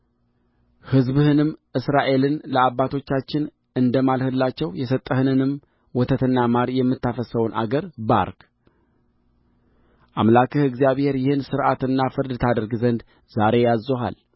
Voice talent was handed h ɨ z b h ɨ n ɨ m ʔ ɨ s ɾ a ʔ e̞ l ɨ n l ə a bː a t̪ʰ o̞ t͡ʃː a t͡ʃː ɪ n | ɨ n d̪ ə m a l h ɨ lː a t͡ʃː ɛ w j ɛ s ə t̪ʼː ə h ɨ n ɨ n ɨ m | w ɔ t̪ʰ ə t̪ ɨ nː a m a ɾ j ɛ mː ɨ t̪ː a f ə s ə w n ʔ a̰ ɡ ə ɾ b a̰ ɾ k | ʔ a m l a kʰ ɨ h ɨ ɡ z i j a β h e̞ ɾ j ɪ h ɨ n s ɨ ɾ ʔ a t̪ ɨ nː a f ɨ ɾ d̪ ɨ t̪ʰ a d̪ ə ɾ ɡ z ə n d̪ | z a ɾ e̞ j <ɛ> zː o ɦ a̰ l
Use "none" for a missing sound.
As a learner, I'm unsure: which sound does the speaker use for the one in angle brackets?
a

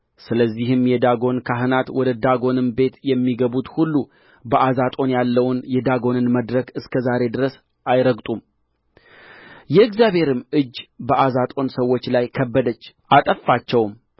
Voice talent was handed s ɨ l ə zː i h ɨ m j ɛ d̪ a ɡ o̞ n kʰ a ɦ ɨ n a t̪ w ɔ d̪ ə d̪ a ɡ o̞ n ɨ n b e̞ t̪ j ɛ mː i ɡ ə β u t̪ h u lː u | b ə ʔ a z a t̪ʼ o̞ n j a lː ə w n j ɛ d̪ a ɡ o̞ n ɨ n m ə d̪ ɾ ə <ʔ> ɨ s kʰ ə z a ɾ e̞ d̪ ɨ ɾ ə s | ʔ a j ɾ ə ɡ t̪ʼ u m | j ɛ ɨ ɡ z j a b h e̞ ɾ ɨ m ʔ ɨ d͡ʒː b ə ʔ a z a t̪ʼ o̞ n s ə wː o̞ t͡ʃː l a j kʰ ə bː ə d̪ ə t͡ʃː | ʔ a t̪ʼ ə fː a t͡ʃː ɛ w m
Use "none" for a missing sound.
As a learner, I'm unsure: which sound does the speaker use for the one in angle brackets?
k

